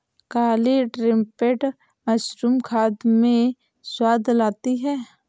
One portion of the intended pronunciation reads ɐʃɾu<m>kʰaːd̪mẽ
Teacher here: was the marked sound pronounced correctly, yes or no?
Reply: yes